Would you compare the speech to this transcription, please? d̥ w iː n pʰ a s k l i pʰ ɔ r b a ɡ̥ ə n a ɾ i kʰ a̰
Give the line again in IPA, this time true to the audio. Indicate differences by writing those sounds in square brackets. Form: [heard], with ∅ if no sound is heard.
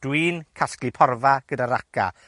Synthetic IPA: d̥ w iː n [kʰ] a s k l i pʰ ɔ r [v] a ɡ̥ ə [d] a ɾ [a] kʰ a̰